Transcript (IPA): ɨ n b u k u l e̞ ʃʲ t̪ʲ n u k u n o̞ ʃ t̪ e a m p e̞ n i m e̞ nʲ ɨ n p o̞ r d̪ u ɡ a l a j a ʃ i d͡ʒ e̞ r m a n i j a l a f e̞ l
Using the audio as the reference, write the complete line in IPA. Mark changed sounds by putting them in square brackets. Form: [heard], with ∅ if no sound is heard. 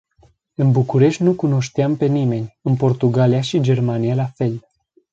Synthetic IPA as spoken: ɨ n b u k u [ɾ] e̞ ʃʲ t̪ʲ n u k u n o̞ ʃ t̪ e a m p e̞ n i m e̞ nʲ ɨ n p o̞ r [t̪] u ɡ a l [i] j a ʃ i d͡ʒ e̞ r m a n i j a l a f e̞ l